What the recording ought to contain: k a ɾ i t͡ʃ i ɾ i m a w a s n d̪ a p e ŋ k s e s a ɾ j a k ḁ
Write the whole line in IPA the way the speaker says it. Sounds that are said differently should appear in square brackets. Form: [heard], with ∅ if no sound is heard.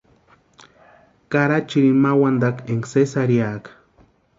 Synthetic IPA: k a ɾ [a] t͡ʃ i ɾ i m a w a [∅] n d̪ a [k] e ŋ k s e s a ɾ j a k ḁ

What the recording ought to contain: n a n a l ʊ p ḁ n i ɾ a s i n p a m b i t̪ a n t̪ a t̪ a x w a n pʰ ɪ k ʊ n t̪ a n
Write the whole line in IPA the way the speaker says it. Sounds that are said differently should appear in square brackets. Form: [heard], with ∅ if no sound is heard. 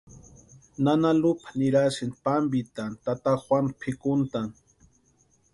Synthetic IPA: n a n a l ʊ p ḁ n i ɾ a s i n p a m b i t̪ a n t̪ a t̪ a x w a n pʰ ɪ k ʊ n t̪ a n

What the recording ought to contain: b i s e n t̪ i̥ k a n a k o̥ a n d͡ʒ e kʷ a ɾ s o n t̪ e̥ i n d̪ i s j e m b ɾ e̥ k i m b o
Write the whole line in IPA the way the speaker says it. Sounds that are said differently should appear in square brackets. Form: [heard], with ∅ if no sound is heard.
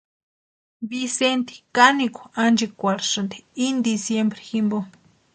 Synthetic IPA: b i s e n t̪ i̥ k a n [i] k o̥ a n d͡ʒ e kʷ a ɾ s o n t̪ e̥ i n d̪ i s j e m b ɾ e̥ [x] i m b o

